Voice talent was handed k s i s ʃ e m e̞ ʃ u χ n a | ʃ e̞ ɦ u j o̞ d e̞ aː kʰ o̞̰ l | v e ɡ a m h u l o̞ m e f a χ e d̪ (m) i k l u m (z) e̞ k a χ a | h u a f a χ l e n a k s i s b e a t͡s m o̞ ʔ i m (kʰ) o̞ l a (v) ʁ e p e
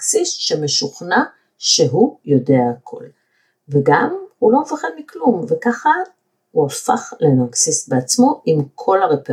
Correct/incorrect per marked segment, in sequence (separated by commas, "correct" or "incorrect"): correct, incorrect, correct, incorrect